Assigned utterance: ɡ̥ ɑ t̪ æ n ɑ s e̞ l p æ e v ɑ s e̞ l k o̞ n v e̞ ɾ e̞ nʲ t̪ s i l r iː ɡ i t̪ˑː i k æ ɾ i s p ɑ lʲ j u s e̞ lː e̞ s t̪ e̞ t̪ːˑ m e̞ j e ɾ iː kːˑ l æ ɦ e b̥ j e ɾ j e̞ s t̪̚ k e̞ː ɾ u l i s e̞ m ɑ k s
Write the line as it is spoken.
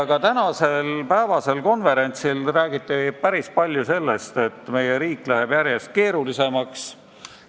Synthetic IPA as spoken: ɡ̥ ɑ t̪ æ n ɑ s e̞ l p æ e v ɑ s e̞ l k o̞ n v e̞ ɾ e̞ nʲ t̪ s i l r æː ɡ i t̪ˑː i p æ ɾ i s p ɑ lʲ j u s e̞ lː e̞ s t̪ e̞ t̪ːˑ m e̞ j e ɾ iː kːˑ l æ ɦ e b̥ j æ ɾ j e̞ s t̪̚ k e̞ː ɾ u l i s e̞ m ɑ k s